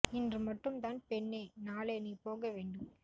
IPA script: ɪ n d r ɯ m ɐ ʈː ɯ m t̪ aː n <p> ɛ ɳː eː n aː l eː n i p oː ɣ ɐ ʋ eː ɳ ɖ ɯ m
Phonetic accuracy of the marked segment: correct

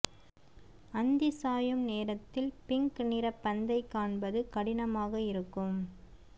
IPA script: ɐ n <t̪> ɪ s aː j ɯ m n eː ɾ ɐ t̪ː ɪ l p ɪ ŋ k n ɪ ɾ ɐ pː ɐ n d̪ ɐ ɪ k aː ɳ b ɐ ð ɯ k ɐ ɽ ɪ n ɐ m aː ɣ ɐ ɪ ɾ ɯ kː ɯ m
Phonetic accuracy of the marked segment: incorrect: d̪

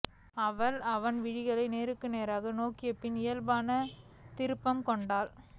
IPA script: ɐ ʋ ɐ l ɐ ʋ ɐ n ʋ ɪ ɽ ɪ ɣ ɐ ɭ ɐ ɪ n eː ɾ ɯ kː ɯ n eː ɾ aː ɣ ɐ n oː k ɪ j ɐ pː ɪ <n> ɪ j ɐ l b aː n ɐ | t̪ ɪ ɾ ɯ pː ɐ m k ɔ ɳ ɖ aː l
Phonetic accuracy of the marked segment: correct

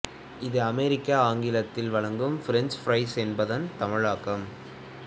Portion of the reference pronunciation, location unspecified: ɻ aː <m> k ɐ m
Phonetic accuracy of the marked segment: incorrect: none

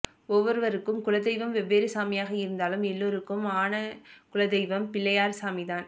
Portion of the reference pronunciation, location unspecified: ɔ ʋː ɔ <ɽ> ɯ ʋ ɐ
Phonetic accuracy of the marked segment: incorrect: ɾ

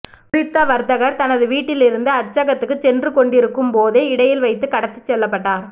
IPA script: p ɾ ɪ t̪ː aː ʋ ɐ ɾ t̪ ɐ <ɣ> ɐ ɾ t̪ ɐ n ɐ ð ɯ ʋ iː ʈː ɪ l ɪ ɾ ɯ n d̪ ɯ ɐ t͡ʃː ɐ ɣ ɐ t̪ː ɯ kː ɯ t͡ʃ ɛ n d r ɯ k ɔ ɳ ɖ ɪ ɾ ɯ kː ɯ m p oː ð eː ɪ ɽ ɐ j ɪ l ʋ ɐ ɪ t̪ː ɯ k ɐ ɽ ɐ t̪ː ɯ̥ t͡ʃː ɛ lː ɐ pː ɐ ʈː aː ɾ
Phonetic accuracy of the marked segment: correct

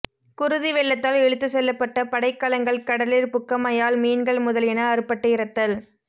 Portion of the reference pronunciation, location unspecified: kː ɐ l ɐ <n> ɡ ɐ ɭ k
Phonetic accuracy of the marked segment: incorrect: ŋ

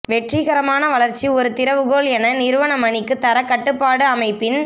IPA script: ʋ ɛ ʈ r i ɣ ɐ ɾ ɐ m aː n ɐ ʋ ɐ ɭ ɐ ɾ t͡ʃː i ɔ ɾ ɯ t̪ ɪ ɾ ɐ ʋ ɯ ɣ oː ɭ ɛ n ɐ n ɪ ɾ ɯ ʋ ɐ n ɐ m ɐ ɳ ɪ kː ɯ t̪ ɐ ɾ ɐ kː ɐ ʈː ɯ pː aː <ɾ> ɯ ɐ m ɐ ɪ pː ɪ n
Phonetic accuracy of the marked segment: incorrect: ɽ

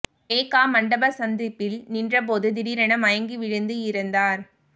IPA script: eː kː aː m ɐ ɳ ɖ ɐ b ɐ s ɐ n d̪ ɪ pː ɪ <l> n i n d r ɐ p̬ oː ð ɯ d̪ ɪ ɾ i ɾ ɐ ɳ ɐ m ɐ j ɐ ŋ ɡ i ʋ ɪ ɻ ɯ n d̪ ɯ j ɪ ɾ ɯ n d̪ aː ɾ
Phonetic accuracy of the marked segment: correct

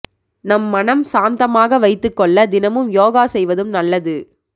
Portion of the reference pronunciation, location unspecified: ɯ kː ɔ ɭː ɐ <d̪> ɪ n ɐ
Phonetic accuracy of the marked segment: correct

